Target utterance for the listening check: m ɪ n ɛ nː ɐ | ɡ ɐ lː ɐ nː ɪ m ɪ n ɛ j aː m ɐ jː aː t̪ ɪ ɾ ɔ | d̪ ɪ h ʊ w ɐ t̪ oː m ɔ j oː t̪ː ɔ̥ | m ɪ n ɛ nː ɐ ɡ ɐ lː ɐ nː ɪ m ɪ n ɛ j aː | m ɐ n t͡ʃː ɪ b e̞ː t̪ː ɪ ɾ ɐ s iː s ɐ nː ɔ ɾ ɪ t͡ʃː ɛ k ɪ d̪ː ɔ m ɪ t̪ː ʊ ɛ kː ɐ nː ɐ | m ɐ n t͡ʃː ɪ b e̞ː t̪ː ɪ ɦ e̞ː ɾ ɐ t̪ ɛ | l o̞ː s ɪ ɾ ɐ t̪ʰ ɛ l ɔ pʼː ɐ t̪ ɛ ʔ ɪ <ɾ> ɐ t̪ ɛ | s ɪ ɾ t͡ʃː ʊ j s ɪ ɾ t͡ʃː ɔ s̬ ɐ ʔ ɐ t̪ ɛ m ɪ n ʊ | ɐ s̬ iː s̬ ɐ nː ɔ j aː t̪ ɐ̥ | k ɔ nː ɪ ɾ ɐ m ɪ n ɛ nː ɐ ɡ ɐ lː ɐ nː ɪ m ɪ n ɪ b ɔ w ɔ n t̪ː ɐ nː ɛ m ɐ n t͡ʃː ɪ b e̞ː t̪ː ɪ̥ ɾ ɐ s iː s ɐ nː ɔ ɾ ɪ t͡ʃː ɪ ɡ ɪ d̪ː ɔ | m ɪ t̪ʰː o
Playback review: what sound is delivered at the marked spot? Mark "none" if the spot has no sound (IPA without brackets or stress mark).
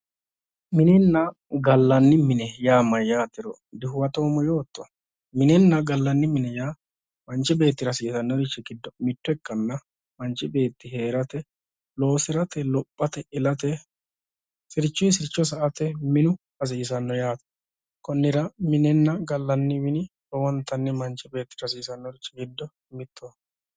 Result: l